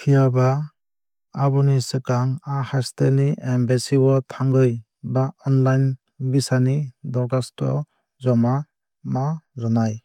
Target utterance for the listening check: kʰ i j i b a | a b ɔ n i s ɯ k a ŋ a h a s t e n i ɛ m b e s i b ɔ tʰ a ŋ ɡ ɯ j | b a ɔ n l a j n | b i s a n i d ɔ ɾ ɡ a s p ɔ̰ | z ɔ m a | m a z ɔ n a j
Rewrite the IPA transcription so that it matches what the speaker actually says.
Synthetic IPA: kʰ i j a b a | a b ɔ n i s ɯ k a ŋ a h a s t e n i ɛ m b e s i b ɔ tʰ a ŋ ɡ ɯ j | b a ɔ n l a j n | b i s a n i d ɔ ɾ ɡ a s t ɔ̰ | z ɔ m a | m a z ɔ n a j